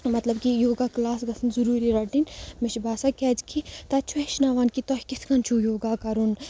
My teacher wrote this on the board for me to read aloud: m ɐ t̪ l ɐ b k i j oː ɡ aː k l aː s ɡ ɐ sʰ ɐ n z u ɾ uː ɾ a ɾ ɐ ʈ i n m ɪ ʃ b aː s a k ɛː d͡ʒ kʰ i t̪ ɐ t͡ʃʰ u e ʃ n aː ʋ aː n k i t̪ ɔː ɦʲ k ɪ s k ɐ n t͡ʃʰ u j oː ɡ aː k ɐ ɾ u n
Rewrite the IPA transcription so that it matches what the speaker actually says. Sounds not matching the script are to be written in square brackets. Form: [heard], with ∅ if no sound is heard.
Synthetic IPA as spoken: m ɐ t̪ l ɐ b k i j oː ɡ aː k l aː s ɡ ɐ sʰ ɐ n z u ɾ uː ɾ [i] ɾ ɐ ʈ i n m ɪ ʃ b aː s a k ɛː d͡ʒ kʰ i t̪ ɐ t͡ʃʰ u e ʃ n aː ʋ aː n k i t̪ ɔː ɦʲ k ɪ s k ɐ n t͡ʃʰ u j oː ɡ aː k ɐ ɾ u n